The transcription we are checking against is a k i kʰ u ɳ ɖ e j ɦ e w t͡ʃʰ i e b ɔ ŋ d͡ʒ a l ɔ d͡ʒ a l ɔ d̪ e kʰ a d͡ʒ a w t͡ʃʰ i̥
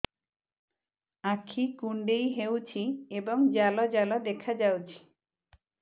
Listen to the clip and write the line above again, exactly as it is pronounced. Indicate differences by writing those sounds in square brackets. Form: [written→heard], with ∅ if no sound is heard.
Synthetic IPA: a [k→kʰ] i [kʰ→k] u ɳ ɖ e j ɦ e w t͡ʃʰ i e b ɔ ŋ d͡ʒ a l ɔ d͡ʒ a l ɔ d̪ e kʰ a d͡ʒ a w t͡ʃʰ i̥